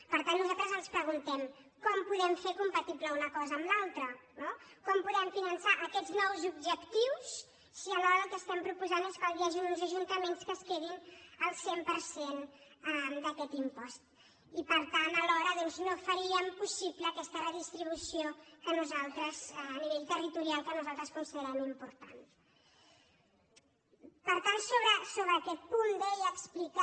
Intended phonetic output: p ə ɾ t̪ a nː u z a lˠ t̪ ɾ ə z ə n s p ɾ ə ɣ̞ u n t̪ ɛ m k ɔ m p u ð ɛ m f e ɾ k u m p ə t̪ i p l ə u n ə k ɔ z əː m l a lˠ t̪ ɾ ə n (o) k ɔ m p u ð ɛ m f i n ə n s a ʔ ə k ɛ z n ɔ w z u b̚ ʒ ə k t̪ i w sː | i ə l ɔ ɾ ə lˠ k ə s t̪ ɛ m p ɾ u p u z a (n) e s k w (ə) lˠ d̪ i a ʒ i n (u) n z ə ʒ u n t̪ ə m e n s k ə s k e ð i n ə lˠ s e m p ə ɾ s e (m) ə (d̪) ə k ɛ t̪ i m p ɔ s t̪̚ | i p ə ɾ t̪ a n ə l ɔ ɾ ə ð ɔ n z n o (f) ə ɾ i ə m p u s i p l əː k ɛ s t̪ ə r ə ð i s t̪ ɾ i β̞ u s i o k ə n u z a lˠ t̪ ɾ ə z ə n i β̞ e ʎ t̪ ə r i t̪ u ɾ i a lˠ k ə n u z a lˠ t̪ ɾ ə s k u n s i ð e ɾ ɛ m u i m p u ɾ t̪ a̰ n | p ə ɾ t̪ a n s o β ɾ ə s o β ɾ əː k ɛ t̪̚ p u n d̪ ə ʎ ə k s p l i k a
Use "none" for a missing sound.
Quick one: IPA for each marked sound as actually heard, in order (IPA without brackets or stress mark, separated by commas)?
o, n, a, u, n, d̪, f